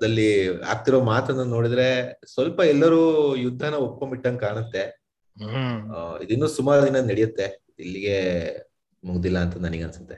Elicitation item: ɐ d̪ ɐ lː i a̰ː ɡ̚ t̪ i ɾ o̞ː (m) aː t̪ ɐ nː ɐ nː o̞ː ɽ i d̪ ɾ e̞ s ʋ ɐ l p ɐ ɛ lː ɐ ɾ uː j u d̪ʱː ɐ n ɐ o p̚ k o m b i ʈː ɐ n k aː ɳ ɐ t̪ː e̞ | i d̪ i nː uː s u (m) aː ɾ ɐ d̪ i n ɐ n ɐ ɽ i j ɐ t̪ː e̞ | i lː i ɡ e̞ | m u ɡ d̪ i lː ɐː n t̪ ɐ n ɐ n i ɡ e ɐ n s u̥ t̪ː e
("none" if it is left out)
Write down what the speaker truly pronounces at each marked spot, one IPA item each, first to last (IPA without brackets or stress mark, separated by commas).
m, m